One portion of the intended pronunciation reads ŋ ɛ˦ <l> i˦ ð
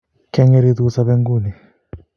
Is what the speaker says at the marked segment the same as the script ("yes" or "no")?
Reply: no